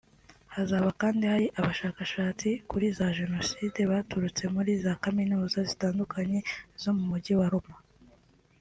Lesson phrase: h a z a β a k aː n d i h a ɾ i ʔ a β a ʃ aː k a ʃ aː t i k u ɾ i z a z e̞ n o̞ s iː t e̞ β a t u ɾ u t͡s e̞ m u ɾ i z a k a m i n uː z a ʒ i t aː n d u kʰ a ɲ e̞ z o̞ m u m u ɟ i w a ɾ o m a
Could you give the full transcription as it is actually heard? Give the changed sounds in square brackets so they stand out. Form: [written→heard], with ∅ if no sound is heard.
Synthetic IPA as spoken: h a z a β a k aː n d i h a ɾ i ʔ a β a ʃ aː k a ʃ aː [t→t͡s] i k u ɾ i z a [z→ʒ] e̞ n o̞ s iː [t→d] e̞ β a t u ɾ u t͡s e̞ m u ɾ i z a k a m i n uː z a [ʒ→z] i t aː n d u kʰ a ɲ e̞ z o̞ m u m u ɟ i w a ɾ o m a